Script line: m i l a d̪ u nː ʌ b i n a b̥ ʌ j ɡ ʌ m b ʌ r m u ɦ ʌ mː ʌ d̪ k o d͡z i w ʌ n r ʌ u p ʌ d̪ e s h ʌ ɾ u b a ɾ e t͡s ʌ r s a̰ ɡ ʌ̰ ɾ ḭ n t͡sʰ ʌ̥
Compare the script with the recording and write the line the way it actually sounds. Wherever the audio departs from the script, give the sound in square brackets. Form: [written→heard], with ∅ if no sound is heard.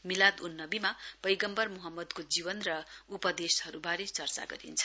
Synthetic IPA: m i l a d̪ u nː ʌ b i [n→m] a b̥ ʌ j ɡ ʌ m b ʌ r m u ɦ ʌ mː ʌ d̪ k o d͡z i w ʌ n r ʌ u p ʌ d̪ e s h ʌ ɾ u b a ɾ e t͡s ʌ r [s→t͡s] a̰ ɡ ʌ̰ ɾ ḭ n t͡sʰ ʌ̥